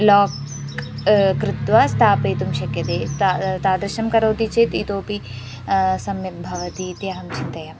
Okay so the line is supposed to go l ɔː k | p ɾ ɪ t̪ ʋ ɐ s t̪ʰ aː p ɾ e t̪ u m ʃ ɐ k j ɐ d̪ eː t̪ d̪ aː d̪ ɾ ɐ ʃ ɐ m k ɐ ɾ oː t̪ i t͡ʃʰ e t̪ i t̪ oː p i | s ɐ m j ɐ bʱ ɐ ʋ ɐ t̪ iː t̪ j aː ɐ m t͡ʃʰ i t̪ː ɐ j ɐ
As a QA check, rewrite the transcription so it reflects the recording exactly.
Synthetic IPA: l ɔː k | k ɾ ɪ t̪ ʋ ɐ s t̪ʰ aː p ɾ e t̪ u m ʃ ɐ k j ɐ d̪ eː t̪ t̪ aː d̪ ɾ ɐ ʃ ɐ m k ɐ ɾ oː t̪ i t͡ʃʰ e t̪ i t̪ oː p i | s ɐ m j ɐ bʱ ɐ ʋ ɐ t̪ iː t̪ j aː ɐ m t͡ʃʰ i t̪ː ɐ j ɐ

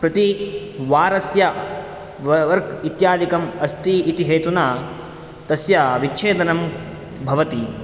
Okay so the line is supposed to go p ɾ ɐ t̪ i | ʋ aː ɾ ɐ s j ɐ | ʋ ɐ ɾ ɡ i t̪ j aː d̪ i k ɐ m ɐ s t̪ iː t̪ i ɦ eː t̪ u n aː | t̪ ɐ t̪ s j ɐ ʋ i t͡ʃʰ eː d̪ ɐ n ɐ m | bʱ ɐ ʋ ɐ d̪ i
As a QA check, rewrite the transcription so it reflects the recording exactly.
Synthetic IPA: p ɾ ɐ t̪ i | ʋ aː ɾ ɐ s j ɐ | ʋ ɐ ɾ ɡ i t̪ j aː d̪ i k ɐ m ɐ s t̪ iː t̪ i ɦ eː t̪ u n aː | t̪ ɐ s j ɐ ʋ i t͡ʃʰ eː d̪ ɐ n ɐ m | bʱ ɐ ʋ ɐ t̪ i

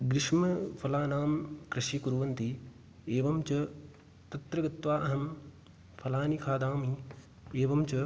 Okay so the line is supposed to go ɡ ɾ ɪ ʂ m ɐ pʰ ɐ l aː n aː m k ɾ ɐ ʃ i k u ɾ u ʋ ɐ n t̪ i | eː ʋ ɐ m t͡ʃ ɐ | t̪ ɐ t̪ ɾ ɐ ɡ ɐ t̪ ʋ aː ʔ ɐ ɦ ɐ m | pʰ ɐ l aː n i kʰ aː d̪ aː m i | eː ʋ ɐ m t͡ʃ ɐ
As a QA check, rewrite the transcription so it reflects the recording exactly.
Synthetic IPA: ɡ ɾ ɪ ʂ m ɐ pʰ ɐ l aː n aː m k ɾ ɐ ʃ i k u ɾ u ʋ ɐ n t̪ i | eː ʋ ɐ m t͡ʃ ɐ | t̪ ɐ t̪ ɾ ɐ ɡ ɐ t̪ ʋ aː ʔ ɐ ɦ ɐ m | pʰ ɐ l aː n i kʰ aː d̪ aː m i | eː ʋ ɐ m t͡ʃ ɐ

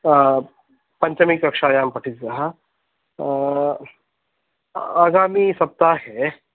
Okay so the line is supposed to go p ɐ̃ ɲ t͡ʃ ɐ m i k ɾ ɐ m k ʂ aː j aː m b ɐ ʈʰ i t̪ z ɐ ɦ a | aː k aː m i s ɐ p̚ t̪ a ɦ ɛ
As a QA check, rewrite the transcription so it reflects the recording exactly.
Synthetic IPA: p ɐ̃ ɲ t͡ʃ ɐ m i k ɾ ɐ k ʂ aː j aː m p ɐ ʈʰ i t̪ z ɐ ɦ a | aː ɡ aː m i s ɐ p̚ t̪ a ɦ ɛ

